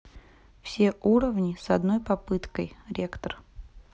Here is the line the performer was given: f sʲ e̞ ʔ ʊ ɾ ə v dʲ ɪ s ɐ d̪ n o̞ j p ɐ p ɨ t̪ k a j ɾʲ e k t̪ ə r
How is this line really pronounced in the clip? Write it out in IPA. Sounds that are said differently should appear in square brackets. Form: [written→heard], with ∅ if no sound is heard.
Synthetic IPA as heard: f sʲ e̞ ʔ [ʊ→u] ɾ ə v [dʲ→nʲ] ɪ s ɐ d̪ n o̞ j p ɐ p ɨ t̪ k [a→ə] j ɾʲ e k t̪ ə r

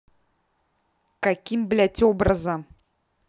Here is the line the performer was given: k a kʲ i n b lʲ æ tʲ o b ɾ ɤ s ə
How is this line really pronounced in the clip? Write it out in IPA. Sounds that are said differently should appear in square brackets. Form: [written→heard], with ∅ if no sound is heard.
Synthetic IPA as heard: k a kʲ i [n→m] b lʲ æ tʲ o b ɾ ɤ [s→z] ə

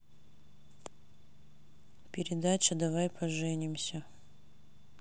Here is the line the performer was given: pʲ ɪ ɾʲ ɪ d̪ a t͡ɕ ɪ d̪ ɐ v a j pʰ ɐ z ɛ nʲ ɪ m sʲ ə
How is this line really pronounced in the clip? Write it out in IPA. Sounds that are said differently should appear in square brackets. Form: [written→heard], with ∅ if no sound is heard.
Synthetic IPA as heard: pʲ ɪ ɾʲ ɪ d̪ a t͡ɕ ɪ d̪ ɐ v a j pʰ ɐ [z→ʐ] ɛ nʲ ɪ m sʲ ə

